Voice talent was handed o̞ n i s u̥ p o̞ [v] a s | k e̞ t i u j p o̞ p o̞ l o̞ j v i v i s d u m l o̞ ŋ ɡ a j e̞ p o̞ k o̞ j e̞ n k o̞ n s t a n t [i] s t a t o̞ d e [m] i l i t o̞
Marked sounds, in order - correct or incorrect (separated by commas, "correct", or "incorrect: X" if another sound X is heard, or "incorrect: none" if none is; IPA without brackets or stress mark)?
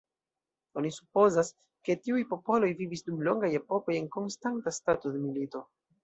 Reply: incorrect: z, incorrect: a, correct